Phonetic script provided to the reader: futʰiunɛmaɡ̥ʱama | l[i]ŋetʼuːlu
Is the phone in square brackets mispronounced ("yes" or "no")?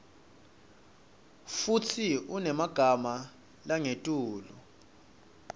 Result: yes